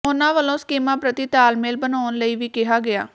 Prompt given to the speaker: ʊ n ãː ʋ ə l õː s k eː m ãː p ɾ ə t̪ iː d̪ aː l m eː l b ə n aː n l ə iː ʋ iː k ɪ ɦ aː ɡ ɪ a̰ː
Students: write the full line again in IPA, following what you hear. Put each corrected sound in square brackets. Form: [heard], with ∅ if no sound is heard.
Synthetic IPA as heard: ʊ n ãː ʋ ə l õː s k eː m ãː p ɾ ə t̪ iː [t̪] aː l m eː l b ə n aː n l ə iː ʋ iː k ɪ ɦ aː ɡ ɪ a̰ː